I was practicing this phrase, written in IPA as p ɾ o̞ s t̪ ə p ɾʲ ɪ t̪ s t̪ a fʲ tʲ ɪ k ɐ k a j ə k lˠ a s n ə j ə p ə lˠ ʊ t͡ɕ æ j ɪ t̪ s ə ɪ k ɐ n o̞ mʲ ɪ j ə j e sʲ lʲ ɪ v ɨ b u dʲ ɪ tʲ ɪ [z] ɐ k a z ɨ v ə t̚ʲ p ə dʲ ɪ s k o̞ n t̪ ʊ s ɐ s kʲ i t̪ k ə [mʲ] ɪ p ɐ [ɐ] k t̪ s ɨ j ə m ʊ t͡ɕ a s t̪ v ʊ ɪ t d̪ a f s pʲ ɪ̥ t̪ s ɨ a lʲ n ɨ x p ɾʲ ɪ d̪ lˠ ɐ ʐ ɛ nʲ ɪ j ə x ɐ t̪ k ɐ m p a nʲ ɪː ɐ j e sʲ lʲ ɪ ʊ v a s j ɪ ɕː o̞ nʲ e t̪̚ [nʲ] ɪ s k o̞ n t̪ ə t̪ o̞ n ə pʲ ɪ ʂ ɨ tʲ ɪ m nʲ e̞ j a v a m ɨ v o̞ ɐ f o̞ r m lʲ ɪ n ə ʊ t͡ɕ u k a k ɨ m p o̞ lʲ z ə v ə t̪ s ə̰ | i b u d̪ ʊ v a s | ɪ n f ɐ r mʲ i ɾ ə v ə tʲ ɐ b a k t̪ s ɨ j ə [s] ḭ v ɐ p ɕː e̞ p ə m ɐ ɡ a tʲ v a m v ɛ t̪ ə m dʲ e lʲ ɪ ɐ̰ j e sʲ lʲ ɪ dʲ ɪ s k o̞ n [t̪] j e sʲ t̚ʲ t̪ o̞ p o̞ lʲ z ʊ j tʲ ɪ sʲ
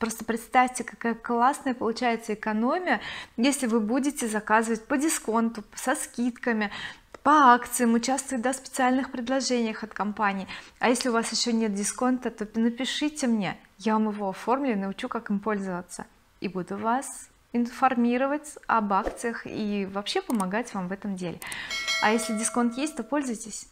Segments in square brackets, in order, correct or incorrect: correct, correct, incorrect: a, incorrect: dʲ, incorrect: x, correct

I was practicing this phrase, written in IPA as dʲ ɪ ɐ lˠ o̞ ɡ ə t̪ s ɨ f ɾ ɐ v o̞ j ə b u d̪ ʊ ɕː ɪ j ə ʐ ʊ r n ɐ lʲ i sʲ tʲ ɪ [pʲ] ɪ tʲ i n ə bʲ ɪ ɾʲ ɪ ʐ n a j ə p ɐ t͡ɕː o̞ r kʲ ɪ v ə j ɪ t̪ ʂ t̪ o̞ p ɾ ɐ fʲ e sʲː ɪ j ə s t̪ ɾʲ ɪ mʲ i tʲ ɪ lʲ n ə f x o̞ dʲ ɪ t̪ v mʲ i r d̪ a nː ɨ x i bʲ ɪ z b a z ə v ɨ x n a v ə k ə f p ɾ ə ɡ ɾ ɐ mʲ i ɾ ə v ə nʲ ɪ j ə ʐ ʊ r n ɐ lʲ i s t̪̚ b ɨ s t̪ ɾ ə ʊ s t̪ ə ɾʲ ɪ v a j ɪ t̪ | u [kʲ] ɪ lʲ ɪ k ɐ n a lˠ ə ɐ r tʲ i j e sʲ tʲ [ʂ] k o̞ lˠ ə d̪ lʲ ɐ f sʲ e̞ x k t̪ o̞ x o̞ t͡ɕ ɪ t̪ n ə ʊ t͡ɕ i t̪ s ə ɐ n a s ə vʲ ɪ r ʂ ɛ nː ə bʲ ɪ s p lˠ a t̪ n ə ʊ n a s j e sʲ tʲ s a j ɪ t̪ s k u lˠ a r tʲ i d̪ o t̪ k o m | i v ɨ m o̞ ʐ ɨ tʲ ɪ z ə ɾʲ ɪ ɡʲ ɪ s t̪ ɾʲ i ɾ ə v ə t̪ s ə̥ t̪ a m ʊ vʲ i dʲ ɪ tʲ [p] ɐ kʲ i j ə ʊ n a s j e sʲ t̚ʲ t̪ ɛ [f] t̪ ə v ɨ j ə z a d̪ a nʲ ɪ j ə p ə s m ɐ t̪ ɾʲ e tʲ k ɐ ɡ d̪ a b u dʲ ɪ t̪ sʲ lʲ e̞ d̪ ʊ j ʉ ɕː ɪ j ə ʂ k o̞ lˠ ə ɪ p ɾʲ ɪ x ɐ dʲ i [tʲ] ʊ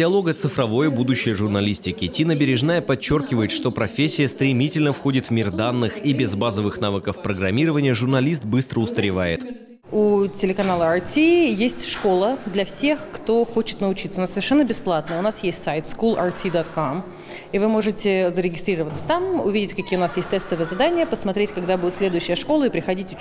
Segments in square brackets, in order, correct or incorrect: incorrect: kʲ, incorrect: tʲ, correct, incorrect: k, incorrect: s, correct

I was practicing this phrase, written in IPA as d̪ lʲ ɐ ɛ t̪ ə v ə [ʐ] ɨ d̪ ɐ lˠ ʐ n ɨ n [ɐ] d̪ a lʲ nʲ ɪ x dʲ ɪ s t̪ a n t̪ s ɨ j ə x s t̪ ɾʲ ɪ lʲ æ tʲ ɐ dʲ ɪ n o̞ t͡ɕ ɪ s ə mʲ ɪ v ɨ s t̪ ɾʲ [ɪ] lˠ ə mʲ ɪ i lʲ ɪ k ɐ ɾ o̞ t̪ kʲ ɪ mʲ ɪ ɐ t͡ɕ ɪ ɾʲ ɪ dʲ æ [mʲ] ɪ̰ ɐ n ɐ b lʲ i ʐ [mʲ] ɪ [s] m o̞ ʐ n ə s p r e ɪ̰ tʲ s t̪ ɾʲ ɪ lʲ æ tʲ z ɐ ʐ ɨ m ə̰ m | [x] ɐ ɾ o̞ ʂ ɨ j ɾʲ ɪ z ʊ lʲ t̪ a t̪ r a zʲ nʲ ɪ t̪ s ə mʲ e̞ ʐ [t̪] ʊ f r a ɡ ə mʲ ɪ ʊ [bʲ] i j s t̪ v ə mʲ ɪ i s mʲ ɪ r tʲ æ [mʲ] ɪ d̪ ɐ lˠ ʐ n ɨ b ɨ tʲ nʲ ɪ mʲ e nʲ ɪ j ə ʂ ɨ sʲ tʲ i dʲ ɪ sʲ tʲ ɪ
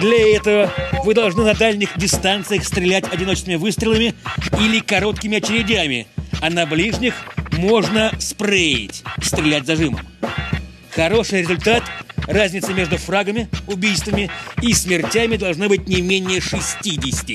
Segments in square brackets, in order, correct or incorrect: incorrect: v, correct, correct, correct, incorrect: nʲ, incorrect: x, correct, incorrect: d̪, correct, correct

